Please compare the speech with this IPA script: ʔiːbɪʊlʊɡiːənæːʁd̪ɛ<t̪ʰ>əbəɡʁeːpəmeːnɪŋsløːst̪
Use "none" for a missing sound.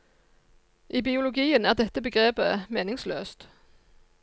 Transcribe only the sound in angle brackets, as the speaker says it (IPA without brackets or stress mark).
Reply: t̪